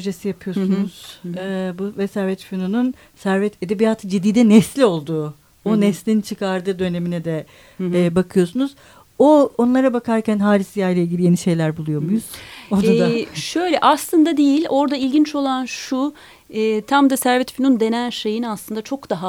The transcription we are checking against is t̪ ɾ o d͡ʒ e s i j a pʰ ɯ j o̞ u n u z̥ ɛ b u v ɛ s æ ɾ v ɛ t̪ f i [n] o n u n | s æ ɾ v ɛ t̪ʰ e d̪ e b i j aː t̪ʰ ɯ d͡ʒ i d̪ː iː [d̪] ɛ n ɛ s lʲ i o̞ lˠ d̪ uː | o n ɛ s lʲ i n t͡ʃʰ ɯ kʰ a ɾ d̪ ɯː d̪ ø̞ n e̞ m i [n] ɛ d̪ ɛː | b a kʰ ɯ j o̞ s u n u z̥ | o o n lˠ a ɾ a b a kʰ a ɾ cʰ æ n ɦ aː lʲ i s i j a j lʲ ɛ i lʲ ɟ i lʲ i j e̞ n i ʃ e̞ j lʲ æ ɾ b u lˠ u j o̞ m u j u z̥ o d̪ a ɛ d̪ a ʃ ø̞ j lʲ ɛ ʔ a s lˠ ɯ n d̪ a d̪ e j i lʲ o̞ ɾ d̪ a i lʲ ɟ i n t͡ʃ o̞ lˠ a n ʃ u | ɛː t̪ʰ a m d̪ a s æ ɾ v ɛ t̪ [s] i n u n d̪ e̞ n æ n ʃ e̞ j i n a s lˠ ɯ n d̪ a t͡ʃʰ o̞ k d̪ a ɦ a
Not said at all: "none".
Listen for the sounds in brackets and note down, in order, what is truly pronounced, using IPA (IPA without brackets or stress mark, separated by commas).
n, d̪, n, f